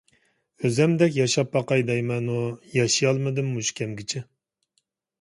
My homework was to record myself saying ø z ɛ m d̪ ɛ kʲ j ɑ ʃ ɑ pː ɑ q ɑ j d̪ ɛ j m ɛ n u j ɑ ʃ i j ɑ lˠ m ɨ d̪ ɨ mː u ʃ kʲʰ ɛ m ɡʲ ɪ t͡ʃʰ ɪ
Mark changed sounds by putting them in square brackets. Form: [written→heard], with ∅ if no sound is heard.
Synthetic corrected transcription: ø z ɛ m d̪ ɛ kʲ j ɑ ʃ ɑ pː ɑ q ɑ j d̪ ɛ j m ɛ n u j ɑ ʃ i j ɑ lˠ m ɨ d̪ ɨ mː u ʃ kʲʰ ɛ m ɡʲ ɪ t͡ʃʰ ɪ